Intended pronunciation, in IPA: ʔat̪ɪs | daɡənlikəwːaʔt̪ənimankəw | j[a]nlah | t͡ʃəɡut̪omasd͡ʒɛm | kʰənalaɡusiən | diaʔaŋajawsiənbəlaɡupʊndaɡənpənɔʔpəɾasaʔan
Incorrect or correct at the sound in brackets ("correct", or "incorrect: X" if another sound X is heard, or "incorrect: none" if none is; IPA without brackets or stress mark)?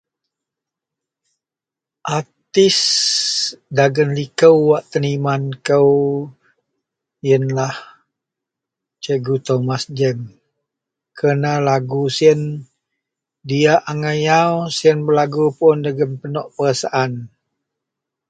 incorrect: ə